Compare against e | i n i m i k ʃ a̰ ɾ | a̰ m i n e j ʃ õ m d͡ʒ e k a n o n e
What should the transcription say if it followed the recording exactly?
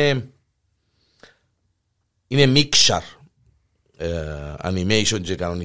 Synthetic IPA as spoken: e | i n e m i k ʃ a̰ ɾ | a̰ n i m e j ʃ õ n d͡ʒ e k a n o n i